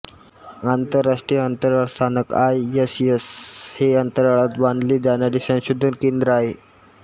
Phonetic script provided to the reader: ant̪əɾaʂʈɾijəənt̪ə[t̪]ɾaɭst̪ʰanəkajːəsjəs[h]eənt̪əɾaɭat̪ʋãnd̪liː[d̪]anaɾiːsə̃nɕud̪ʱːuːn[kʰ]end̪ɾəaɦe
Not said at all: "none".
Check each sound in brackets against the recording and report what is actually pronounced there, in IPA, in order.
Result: none, h, d̪, k

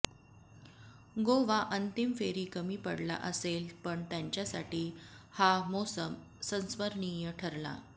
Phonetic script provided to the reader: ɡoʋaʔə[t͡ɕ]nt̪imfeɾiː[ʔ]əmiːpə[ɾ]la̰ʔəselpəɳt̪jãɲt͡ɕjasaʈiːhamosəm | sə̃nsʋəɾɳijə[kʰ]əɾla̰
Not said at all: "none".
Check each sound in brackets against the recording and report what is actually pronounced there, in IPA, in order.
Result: none, k, ɽ, ʈʰ

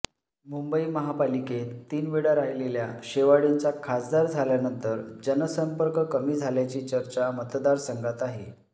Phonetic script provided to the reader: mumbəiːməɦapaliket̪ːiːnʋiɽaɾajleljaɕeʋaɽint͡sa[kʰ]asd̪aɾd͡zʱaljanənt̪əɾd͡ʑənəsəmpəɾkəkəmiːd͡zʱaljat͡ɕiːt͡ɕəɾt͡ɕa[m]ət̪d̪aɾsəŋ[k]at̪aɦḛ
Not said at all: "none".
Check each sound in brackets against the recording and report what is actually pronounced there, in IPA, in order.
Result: kʰ, m, ɡ

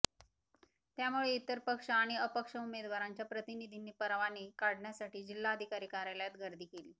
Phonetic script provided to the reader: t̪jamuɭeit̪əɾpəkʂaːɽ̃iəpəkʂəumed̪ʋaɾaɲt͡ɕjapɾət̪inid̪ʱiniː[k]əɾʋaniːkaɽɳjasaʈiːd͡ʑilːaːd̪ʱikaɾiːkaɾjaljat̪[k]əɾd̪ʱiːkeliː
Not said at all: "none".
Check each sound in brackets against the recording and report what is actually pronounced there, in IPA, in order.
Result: p, ɡ

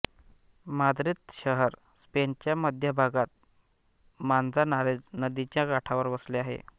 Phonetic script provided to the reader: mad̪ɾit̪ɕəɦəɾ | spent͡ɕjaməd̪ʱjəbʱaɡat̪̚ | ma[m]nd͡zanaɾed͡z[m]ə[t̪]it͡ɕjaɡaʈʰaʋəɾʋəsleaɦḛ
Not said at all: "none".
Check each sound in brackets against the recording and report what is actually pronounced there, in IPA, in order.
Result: none, n, d̪

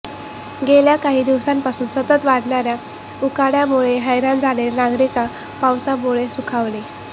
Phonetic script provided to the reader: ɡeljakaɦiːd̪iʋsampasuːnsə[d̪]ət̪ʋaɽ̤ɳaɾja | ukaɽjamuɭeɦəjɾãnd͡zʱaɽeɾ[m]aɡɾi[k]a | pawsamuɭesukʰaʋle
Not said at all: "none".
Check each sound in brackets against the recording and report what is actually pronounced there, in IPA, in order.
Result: t̪, n, k

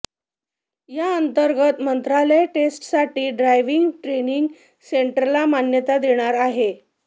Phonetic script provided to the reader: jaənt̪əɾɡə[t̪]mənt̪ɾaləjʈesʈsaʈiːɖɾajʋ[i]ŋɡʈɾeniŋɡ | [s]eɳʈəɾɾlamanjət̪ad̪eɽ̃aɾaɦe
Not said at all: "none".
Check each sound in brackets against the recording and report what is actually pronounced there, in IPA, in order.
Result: t̪, i, s

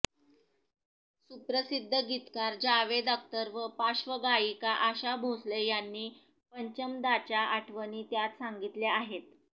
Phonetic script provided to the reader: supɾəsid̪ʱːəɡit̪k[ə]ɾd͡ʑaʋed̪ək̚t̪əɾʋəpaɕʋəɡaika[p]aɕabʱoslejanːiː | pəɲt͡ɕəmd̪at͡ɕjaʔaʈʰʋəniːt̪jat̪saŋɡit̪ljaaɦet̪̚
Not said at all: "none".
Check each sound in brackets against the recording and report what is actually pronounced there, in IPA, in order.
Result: a, ʔ

